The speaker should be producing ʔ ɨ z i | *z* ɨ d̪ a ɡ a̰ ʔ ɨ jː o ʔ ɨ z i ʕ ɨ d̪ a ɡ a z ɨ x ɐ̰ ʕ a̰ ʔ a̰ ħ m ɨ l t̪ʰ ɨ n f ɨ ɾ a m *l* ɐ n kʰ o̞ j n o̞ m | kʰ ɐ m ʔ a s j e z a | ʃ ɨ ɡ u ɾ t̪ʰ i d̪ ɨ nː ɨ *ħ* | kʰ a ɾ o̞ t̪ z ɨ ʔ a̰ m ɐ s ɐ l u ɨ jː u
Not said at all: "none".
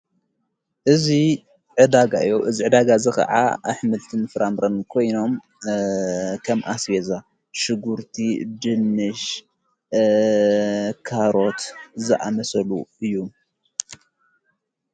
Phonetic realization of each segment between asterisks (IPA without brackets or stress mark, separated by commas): ʕ, ɾ, ʃ